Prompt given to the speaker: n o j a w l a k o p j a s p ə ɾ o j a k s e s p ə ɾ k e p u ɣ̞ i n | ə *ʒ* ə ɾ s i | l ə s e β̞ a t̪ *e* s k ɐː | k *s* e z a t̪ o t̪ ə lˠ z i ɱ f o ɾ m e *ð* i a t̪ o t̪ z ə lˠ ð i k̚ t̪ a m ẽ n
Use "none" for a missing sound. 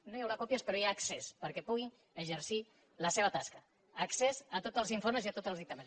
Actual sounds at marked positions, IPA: ʒ, a, s, z

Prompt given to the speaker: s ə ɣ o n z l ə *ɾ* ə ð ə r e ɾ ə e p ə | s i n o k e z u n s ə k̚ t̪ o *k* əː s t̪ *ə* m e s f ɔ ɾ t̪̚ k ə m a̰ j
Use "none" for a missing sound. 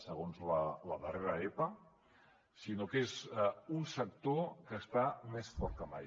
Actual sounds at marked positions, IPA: l, k, a

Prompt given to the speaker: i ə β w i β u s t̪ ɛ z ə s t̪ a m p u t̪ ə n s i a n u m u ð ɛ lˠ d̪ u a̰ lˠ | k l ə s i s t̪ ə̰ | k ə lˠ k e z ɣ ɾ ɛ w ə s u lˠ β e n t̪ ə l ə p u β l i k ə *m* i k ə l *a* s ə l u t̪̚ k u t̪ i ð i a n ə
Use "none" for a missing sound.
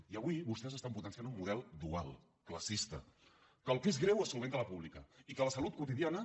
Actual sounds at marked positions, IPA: none, ə

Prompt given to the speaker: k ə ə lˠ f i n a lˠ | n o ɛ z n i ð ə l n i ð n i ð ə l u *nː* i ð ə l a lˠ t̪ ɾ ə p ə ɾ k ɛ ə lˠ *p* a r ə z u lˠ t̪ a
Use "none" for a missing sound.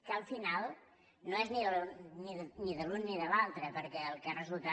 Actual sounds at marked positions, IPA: nː, k

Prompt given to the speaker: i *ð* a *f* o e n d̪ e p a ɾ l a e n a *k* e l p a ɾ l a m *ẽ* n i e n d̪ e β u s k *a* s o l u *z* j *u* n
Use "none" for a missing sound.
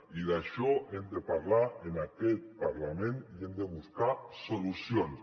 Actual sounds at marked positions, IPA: ð, ʃ, k, ẽ, a, s, o

